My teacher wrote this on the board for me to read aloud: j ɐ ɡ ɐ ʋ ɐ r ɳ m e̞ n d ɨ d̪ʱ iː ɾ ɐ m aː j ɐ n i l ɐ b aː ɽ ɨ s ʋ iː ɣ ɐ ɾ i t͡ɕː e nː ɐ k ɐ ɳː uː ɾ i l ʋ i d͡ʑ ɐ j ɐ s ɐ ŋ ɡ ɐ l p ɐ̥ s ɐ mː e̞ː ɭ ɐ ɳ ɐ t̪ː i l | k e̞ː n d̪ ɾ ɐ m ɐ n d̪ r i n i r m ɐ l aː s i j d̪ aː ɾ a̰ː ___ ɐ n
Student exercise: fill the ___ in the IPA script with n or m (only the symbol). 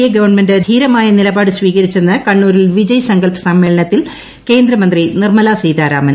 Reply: m